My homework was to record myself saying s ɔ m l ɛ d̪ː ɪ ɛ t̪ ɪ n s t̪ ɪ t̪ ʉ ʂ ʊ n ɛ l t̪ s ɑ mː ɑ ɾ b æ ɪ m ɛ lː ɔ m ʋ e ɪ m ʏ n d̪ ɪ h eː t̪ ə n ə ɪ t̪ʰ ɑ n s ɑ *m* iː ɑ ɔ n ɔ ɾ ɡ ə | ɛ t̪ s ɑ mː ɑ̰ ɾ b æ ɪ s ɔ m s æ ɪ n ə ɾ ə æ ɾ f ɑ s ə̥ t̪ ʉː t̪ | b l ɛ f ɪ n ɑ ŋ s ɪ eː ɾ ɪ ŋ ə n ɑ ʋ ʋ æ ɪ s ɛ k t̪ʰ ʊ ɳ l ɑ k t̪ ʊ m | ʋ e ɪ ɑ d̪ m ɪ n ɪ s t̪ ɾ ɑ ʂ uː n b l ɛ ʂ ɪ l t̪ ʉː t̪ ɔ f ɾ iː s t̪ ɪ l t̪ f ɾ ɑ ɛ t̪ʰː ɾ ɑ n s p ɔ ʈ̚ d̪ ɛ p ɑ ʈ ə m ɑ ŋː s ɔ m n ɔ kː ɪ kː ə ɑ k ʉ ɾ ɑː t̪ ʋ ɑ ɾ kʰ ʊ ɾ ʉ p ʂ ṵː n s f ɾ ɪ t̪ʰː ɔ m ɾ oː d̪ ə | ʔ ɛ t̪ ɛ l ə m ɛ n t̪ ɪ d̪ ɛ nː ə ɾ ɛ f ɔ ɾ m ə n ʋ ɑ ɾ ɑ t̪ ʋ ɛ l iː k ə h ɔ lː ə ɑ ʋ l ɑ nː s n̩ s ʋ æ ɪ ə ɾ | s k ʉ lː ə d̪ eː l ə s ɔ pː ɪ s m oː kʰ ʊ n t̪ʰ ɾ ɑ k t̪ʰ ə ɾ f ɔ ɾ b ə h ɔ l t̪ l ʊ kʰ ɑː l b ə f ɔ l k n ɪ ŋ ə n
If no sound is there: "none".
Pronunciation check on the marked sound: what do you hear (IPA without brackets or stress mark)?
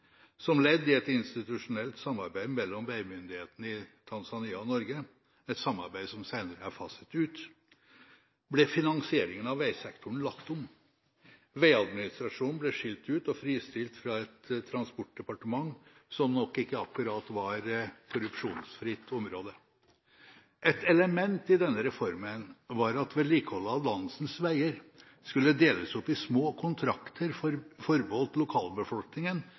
n